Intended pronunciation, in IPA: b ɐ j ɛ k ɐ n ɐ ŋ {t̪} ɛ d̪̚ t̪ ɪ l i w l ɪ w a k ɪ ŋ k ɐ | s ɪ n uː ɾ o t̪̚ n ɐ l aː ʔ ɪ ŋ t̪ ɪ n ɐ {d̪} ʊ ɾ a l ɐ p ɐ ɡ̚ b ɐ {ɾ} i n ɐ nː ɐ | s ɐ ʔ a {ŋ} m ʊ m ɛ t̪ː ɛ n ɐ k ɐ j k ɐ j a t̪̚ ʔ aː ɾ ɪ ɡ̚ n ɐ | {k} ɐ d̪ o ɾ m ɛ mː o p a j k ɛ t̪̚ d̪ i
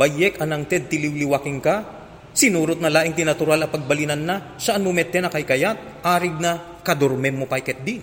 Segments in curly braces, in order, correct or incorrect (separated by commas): correct, incorrect, incorrect, incorrect, correct